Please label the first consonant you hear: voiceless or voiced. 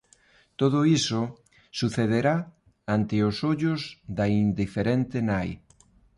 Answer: voiceless